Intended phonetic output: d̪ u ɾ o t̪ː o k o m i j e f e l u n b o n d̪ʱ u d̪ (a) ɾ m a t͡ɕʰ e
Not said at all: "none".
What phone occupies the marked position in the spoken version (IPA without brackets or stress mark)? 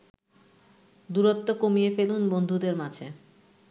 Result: e